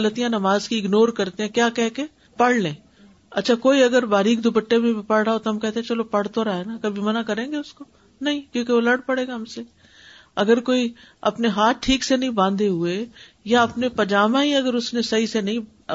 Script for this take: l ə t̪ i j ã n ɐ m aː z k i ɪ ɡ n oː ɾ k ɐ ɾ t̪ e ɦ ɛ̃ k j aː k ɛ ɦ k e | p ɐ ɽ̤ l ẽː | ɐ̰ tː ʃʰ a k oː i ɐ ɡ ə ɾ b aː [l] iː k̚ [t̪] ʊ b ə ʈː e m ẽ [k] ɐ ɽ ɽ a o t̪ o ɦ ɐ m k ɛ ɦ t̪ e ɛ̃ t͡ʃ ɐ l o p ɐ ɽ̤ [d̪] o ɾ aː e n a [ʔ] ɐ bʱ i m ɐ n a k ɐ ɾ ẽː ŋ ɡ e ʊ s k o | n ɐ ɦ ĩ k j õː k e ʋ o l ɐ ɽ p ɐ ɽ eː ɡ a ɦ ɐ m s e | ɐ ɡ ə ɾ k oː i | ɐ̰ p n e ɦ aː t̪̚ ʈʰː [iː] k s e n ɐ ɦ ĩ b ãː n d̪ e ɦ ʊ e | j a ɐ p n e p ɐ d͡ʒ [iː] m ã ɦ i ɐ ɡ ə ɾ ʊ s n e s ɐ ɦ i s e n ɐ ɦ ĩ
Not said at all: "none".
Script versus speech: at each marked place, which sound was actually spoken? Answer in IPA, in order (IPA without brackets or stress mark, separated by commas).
ɾ, d̪, p, t̪, k, iː, aː